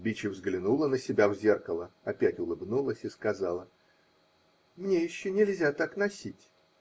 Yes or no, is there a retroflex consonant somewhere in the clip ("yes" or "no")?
no